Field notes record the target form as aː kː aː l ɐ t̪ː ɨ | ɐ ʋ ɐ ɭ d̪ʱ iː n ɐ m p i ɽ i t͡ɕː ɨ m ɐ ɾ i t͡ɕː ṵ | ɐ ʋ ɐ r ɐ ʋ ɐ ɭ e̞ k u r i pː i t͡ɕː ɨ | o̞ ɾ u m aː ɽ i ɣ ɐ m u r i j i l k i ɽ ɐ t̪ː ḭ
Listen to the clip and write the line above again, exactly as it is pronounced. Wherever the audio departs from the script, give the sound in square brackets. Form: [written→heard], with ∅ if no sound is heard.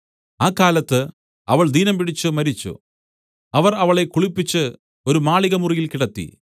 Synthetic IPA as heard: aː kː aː l ɐ t̪ː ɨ | ɐ ʋ ɐ ɭ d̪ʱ iː n ɐ m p i ɽ i t͡ɕː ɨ m ɐ ɾ i t͡ɕː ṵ | ɐ ʋ ɐ r ɐ ʋ ɐ ɭ e̞ k u [r→ɭ] i pː i t͡ɕː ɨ | o̞ ɾ u m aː [ɽ→ɭ] i ɣ ɐ m u r i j i l k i ɽ ɐ t̪ː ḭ

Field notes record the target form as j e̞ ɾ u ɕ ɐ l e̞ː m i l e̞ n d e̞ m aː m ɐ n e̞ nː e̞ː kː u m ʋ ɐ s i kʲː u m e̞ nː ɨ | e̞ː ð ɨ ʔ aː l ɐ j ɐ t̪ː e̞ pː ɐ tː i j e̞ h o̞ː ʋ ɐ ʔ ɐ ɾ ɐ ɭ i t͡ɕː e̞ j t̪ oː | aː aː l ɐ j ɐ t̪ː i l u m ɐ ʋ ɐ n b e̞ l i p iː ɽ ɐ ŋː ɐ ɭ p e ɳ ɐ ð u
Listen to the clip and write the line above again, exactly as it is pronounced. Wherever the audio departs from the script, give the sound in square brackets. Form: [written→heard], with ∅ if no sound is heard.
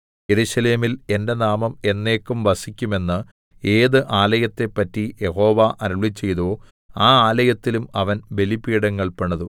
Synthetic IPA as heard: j e̞ ɾ u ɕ ɐ l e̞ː m i l e̞ n d e̞ [m→n] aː m ɐ [n→m] e̞ nː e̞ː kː u m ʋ ɐ s i kʲː u m e̞ nː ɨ | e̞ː ð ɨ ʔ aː l ɐ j ɐ t̪ː e̞ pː ɐ tː i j e̞ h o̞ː ʋ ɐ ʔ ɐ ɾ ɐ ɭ i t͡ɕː e̞ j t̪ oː | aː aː l ɐ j ɐ t̪ː i l u m ɐ ʋ ɐ n b e̞ l i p iː ɽ ɐ ŋː ɐ ɭ p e ɳ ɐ ð u

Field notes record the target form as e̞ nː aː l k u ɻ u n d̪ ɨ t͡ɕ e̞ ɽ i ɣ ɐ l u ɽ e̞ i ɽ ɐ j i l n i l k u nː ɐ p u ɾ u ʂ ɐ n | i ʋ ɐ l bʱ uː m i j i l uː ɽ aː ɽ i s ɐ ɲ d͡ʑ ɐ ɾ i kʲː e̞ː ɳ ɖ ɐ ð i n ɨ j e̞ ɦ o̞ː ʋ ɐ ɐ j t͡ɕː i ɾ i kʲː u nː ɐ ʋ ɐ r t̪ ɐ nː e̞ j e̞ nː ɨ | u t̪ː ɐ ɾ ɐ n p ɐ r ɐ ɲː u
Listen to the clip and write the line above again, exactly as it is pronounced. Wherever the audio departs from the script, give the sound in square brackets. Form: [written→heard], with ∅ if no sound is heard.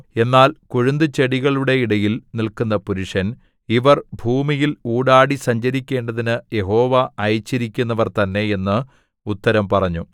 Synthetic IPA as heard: e̞ nː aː l k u ɻ u n d̪ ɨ t͡ɕ e̞ ɽ i ɣ ɐ [l→ɭ] u ɽ e̞ i ɽ ɐ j i l n i l k u nː ɐ p u ɾ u ʂ ɐ n | i ʋ ɐ [l→r] bʱ uː m i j i l uː ɽ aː ɽ i s ɐ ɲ d͡ʑ ɐ ɾ i kʲː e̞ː ɳ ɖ ɐ ð i n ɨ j e̞ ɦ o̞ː ʋ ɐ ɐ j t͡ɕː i ɾ i kʲː u nː ɐ ʋ ɐ r t̪ ɐ nː e̞ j e̞ nː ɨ | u t̪ː ɐ ɾ ɐ [n→m] p ɐ r ɐ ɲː u

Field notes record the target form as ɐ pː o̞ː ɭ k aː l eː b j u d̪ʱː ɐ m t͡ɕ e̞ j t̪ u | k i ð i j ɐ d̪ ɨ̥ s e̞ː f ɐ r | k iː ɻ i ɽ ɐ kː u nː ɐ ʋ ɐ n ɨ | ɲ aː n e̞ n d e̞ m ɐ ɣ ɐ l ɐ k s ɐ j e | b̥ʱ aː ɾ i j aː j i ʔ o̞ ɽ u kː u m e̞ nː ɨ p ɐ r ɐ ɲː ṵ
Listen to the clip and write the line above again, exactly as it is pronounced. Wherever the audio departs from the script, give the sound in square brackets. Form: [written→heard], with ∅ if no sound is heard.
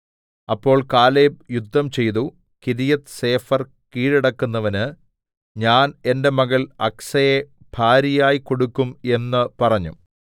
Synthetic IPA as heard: ɐ pː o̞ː ɭ k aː l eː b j u d̪ʱː ɐ m t͡ɕ e̞ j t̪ u | k i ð i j ɐ [d̪→t̪] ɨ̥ s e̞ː f ɐ r | k iː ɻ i ɽ ɐ kː u nː ɐ ʋ ɐ n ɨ | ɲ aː n e̞ n d e̞ m ɐ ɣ ɐ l ɐ k s ɐ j e | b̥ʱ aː ɾ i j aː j i [ʔ→k] o̞ ɽ u kː u m e̞ nː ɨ p ɐ r ɐ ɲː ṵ

